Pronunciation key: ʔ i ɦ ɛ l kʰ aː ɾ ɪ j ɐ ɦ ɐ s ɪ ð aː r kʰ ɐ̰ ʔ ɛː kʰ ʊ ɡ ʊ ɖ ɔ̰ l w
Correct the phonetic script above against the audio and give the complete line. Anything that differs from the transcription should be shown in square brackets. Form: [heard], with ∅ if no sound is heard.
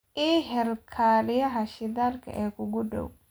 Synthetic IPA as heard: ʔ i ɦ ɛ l kʰ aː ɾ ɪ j ɐ ɦ ɐ [ʃ] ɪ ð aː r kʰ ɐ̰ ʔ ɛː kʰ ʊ ɡ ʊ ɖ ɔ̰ [∅] w